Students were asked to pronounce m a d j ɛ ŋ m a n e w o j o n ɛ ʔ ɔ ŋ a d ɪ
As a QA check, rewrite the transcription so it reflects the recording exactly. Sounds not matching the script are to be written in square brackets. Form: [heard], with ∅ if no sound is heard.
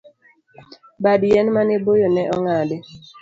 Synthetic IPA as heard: [b] a d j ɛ [n] m a n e [b] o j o n ɛ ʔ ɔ ŋ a d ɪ